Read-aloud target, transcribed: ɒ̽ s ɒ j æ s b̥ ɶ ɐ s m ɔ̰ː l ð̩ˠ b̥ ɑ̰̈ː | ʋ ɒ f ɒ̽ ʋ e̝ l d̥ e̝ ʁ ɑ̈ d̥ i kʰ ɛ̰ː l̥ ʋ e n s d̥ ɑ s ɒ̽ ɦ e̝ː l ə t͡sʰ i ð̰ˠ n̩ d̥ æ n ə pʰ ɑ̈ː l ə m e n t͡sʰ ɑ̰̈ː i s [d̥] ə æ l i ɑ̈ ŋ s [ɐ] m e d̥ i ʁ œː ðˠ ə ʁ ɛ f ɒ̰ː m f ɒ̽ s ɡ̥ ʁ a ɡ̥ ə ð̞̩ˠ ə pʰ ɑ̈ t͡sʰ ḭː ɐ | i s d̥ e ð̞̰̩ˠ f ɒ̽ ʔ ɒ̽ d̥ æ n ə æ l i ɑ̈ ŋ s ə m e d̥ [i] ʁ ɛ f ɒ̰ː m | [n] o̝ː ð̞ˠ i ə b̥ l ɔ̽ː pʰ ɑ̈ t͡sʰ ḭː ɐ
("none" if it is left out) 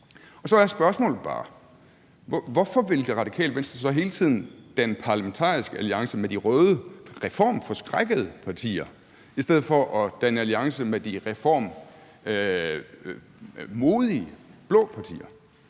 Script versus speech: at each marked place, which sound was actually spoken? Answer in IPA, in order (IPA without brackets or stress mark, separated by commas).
ɡ̥, ə, i, m